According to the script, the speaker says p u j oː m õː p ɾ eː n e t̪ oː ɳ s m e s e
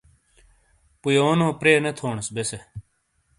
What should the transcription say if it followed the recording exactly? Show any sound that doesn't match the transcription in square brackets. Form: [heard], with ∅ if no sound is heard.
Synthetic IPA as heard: p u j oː [n] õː p ɾ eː n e [t̪ʰ] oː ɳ s [b] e s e